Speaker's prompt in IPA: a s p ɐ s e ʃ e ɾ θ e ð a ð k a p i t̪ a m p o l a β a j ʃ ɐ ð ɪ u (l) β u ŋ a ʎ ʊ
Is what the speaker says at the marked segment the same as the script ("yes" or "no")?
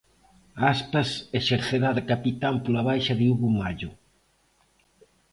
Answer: no